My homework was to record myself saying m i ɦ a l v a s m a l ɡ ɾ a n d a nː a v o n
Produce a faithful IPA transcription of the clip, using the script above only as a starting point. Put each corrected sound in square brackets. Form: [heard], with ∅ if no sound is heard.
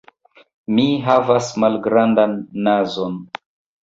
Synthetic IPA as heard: m i ɦ a [∅] v a s m a l ɡ ɾ a n d a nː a [z] o n